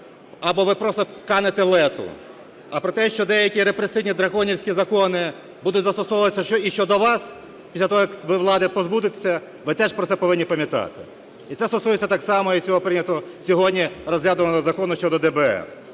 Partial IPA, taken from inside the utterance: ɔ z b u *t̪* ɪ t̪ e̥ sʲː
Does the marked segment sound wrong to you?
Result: yes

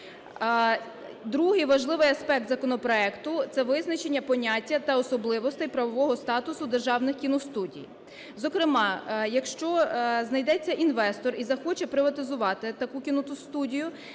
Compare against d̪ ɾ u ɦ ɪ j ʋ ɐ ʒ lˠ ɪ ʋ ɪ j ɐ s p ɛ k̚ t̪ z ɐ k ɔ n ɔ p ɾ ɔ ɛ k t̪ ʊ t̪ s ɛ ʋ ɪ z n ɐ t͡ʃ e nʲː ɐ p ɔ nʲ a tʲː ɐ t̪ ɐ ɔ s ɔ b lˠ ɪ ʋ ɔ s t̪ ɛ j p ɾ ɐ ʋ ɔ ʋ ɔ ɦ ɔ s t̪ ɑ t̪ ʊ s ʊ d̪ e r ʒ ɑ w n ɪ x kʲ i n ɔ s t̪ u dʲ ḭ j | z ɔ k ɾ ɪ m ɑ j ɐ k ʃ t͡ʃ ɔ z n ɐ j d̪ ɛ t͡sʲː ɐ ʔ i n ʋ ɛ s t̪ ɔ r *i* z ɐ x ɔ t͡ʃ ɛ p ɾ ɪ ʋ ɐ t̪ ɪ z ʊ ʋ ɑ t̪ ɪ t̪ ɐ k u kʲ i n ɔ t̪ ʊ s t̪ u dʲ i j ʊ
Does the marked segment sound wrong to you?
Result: no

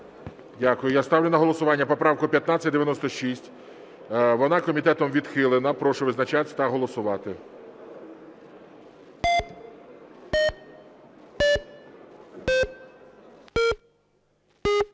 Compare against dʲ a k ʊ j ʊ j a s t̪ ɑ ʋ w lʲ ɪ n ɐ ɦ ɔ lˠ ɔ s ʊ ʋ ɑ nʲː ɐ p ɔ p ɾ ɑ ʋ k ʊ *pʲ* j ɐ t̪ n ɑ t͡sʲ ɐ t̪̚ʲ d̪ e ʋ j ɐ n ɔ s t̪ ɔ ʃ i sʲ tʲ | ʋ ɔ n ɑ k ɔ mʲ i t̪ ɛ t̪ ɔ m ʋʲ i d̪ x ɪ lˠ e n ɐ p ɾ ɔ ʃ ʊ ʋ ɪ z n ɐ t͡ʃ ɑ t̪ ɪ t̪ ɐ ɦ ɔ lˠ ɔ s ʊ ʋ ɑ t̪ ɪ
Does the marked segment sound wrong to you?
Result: no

